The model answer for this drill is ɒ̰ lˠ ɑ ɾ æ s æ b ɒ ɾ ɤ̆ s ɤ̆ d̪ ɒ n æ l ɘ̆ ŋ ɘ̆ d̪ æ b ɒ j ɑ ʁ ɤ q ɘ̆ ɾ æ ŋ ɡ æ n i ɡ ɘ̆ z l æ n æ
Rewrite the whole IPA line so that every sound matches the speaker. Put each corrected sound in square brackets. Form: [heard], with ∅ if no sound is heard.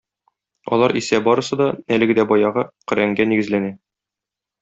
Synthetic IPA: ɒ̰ lˠ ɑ ɾ [i] s æ b ɒ ɾ ɤ̆ s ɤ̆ d̪ ɒ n æ l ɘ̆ [ɡ] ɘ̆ d̪ æ b ɒ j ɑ ʁ ɤ q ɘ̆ ɾ æ ŋ ɡ æ n i ɡ ɘ̆ z l æ n æ